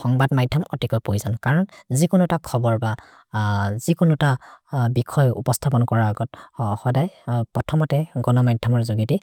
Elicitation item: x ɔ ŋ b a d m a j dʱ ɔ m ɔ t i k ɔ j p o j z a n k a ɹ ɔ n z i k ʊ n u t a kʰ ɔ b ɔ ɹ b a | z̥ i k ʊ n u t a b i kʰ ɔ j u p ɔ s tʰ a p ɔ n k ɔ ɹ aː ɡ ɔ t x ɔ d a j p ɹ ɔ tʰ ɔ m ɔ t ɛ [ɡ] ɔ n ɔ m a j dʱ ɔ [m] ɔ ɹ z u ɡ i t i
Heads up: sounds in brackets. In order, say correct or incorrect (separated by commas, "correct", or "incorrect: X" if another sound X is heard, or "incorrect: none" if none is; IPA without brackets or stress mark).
correct, correct